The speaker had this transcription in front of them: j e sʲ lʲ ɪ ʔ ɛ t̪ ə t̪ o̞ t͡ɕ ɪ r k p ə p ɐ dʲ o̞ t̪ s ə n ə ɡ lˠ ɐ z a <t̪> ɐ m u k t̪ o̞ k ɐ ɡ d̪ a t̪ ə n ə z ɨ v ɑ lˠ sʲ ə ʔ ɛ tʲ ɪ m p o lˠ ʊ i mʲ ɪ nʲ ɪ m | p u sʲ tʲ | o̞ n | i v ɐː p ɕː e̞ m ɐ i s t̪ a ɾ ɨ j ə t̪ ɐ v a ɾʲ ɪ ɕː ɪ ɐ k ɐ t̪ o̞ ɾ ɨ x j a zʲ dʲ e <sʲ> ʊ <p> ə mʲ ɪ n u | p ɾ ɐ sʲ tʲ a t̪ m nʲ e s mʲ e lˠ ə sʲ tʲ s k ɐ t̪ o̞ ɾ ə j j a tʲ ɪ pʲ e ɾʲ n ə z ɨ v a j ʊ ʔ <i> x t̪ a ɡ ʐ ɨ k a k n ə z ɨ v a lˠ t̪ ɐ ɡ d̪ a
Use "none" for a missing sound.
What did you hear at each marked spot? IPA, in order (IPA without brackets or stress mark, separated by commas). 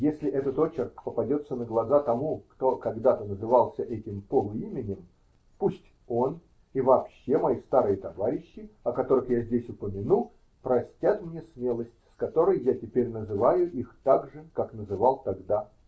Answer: t̪, sʲ, p, i